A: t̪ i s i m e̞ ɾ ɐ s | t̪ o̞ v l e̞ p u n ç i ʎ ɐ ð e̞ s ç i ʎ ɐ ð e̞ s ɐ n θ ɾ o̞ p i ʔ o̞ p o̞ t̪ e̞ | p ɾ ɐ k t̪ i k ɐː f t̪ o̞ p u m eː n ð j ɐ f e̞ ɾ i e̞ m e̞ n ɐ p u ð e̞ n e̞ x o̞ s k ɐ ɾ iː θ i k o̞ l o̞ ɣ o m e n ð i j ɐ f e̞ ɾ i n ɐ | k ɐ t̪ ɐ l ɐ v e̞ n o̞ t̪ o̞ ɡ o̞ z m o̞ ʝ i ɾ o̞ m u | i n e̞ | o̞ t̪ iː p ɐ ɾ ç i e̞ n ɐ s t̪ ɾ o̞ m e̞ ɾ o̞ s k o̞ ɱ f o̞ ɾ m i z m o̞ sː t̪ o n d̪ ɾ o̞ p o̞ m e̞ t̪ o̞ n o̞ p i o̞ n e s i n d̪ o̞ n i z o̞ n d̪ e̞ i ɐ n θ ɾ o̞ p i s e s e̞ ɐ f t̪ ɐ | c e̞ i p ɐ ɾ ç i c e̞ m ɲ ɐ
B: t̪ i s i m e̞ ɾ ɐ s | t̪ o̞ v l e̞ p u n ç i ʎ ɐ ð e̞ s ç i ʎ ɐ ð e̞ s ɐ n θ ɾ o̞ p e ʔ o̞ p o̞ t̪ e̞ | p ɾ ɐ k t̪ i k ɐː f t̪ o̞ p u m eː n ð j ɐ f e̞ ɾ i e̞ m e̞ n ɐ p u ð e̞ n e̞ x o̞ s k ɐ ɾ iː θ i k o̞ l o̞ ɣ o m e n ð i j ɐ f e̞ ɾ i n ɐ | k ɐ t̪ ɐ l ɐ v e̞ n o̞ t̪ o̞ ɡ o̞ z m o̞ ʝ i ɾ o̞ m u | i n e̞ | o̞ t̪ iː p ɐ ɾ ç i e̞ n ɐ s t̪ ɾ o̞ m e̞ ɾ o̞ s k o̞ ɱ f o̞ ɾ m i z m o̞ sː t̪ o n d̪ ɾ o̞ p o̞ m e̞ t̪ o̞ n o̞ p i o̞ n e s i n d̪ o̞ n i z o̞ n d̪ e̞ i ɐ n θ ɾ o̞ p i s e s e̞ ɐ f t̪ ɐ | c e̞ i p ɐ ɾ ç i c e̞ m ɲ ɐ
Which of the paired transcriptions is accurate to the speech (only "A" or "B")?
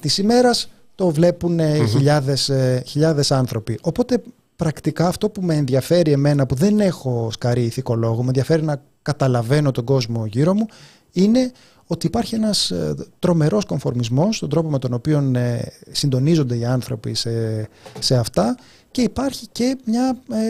A